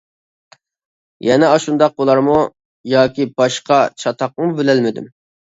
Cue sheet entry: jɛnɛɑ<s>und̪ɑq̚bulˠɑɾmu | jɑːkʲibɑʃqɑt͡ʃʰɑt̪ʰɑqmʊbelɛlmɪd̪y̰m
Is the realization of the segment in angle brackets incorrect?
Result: yes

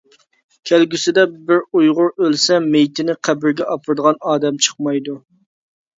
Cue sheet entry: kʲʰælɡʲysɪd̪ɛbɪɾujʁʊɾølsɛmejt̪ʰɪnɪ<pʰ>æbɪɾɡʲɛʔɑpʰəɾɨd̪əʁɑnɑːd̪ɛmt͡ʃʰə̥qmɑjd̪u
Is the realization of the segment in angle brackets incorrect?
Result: yes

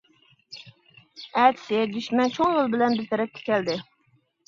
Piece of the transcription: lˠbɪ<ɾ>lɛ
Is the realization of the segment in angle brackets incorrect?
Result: yes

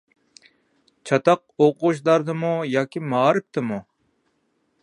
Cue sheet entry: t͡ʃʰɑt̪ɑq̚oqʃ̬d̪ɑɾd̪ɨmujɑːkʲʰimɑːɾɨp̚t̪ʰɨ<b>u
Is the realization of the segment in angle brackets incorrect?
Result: yes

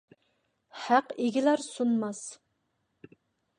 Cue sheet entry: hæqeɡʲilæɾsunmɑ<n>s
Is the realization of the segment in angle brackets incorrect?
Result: yes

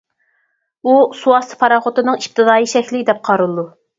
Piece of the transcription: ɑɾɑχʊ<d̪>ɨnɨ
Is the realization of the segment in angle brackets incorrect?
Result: yes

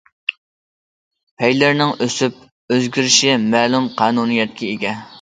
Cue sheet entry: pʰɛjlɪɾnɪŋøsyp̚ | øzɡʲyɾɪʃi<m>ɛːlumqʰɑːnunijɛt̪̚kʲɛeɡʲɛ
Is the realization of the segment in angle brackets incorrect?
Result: no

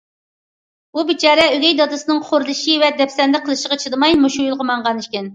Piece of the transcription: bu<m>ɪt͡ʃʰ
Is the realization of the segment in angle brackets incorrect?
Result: yes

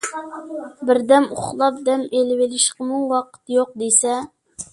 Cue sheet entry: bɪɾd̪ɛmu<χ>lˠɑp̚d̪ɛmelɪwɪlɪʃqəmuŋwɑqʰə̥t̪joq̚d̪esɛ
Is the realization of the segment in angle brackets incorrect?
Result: no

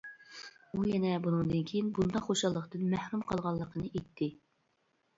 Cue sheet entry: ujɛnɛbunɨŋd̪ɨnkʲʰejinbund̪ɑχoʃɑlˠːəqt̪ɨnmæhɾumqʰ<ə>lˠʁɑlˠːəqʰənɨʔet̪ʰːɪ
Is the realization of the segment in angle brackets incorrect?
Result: yes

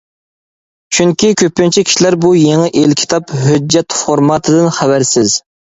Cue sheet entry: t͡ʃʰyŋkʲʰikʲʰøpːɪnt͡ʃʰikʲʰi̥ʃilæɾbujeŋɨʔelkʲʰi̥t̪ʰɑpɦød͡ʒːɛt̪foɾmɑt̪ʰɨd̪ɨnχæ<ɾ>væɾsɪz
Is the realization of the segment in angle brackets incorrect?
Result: yes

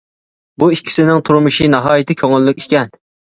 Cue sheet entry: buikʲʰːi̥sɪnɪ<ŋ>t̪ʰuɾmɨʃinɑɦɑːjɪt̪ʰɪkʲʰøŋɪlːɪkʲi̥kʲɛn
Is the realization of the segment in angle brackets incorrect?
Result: no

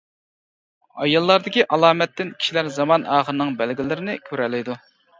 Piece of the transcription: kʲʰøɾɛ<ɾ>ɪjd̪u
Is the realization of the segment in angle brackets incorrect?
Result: yes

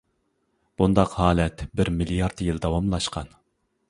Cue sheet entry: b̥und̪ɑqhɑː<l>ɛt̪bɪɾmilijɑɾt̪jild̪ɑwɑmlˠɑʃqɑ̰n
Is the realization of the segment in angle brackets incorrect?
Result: no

